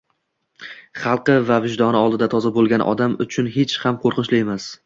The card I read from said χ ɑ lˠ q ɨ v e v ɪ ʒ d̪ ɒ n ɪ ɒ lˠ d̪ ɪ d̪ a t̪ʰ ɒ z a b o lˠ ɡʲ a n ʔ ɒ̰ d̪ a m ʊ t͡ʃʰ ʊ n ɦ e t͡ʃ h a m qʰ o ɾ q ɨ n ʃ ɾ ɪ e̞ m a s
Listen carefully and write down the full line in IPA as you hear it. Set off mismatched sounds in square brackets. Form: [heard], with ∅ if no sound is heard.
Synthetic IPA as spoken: χ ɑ lˠ q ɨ v [a] v ɪ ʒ d̪ ɒ n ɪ ɒ lˠ d̪ ɪ d̪ a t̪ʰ ɒ z a b o lˠ ɡʲ a n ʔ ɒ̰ d̪ a m ʊ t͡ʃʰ ʊ n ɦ e t͡ʃ h a m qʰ o ɾ q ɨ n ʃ [l] ɪ e̞ m a s

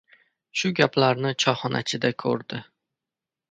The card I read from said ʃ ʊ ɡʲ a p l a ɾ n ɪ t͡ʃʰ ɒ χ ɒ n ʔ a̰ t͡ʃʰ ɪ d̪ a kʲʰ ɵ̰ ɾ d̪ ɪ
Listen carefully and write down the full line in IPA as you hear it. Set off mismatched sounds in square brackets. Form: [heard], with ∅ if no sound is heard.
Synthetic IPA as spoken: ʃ ʊ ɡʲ a p l a ɾ n ɪ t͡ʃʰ ɒ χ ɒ n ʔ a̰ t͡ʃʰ ɪ d̪ a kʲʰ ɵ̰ ɾ d̪ ɪ

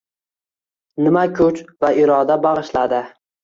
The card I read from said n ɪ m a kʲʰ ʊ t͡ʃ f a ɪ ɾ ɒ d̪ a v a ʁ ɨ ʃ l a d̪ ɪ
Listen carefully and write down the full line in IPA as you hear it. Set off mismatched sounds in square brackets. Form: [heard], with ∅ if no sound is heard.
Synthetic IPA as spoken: n ɪ m a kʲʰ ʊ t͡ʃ [v] a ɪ ɾ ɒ d̪ a [b] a ʁ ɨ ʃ l a d̪ ɪ

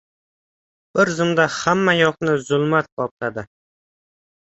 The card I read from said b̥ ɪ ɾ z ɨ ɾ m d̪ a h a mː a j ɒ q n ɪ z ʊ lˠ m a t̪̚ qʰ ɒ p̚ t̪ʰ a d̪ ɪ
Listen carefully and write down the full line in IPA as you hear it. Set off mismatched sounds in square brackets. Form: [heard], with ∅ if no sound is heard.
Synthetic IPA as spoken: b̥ ɪ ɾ z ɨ [∅] m d̪ a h a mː a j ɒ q n ɪ z ʊ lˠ m a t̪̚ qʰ ɒ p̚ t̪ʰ a d̪ ɪ

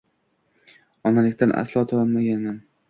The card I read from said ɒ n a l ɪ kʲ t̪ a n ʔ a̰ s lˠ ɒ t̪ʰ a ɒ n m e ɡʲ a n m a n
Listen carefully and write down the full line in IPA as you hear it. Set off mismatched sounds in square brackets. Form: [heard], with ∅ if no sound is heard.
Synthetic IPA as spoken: ɒ n a l ɪ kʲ t̪ a n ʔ a̰ s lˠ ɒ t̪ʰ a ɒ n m [a] ɡʲ a n m a n

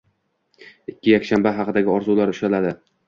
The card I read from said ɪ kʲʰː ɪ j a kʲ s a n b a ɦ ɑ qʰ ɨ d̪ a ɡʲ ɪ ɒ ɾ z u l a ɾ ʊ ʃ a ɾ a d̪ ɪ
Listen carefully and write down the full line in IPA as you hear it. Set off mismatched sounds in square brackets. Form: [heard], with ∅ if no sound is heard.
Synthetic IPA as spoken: ɪ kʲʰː ɪ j a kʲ [ʃ] a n b a ɦ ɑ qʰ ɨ d̪ a ɡʲ ɪ ɒ ɾ z u l a ɾ ʊ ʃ a [l] a d̪ ɪ

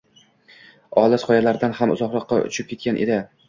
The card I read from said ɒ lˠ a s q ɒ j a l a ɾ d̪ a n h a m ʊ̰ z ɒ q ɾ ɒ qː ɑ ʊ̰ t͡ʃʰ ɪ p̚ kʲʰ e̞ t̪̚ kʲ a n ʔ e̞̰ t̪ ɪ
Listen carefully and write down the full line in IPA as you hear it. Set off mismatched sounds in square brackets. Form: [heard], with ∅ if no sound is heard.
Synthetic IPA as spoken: ɒ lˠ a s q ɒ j a l a ɾ d̪ a n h a m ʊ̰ z ɒ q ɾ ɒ qː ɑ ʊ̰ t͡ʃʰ ɪ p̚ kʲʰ e̞ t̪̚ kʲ a n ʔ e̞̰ [d̪] ɪ

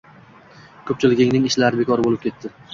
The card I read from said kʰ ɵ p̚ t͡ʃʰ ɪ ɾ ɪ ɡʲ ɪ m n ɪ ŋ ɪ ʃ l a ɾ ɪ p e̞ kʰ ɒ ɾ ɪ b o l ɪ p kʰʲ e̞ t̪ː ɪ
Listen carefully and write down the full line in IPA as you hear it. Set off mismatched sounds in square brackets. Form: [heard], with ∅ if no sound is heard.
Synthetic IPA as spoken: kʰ ɵ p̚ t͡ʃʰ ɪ [l] ɪ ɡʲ ɪ [ŋ] n ɪ ŋ ɪ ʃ l a ɾ ɪ [b] e̞ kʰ ɒ ɾ ɪ b o l ɪ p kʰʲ e̞ t̪ː ɪ

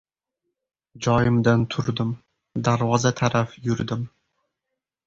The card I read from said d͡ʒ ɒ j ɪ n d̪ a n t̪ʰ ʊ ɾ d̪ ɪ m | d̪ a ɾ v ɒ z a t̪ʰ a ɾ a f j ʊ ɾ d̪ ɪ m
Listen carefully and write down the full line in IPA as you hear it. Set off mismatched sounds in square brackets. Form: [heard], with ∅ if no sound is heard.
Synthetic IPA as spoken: d͡ʒ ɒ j ɪ [m] d̪ a n t̪ʰ ʊ ɾ d̪ ɪ m | d̪ a ɾ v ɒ z a t̪ʰ a ɾ a f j ʊ ɾ d̪ ɪ m

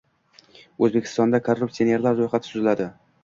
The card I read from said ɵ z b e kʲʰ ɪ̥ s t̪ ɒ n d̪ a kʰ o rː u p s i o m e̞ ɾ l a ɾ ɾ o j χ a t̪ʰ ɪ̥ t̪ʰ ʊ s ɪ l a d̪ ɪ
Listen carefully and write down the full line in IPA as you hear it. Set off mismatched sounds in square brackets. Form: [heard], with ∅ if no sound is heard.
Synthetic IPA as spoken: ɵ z b e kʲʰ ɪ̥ s t̪ ɒ n d̪ a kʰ o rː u p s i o [n] e̞ ɾ l a ɾ ɾ o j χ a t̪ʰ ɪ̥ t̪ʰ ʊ [z] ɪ l a d̪ ɪ

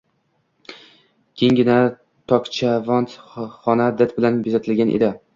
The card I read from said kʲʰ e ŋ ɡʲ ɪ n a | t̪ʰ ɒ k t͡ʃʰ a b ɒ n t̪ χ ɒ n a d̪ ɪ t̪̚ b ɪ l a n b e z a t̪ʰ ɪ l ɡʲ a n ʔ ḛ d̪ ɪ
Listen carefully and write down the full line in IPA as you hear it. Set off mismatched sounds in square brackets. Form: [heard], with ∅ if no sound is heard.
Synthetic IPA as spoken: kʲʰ e ŋ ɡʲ ɪ n a | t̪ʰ ɒ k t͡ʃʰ a [v] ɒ n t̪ χ ɒ n a d̪ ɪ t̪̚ b ɪ l a n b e z a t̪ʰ ɪ l ɡʲ a n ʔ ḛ d̪ ɪ

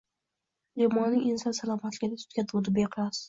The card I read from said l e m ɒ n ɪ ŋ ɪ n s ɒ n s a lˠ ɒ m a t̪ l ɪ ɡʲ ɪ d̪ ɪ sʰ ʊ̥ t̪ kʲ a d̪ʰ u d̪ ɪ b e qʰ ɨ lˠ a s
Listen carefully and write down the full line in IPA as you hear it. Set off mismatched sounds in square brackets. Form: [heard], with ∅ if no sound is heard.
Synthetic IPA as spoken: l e m ɒ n ɪ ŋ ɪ n s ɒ n s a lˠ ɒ m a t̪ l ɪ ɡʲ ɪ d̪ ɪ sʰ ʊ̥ t̪ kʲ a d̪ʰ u d̪ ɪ b e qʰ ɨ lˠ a s

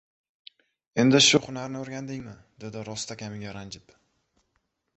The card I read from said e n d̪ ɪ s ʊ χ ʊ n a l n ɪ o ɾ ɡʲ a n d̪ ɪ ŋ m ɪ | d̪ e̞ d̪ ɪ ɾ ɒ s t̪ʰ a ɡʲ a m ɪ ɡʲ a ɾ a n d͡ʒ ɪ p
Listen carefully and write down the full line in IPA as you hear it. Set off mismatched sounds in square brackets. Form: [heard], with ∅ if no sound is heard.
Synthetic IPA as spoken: e n d̪ ɪ [ʃ] ʊ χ ʊ n a [ɾ] n ɪ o ɾ ɡʲ a n d̪ ɪ ŋ m ɪ | d̪ e̞ d̪ ɪ ɾ ɒ s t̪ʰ a [kʲ] a m ɪ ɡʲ a ɾ a n d͡ʒ ɪ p

